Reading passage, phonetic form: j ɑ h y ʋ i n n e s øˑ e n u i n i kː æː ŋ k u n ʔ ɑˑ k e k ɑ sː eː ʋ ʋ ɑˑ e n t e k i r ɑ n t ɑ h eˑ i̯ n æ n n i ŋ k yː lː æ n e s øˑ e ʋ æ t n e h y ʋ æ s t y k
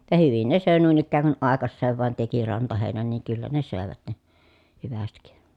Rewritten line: j ɑ h y ʋ i n n e s øˑ e n u i n i kː æː ŋ k u n ʔ ɑˑ e k ɑ sː eː ʋ ʋ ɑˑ e n t e k i r ɑ n t ɑ h eˑ i̯ n æ n n iː ŋ k y lː æ n e s øˑ e ʋ æ t n e h y ʋ æ s t i k